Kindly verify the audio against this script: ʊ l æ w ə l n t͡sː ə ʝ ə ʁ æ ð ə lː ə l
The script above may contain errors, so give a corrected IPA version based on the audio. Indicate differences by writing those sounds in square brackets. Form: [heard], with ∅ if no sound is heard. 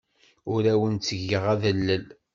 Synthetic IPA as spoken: ʊ [ɾ] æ w ə [∅] n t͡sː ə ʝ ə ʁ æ ð ə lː ə l